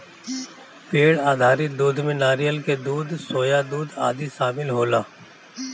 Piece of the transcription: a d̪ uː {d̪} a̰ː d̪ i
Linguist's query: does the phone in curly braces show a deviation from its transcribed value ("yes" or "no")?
no